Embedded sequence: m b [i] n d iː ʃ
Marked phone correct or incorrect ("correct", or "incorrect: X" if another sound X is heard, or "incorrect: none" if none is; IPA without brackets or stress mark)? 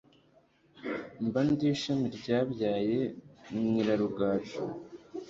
incorrect: a